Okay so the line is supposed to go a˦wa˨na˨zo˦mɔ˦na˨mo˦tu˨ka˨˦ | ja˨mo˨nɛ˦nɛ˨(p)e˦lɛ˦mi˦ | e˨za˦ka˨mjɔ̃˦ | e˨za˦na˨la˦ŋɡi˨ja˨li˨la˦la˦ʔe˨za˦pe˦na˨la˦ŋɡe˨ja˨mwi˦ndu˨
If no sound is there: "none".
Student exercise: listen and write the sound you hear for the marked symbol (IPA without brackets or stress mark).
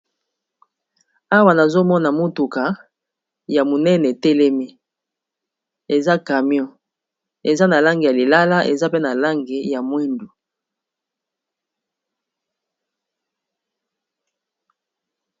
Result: t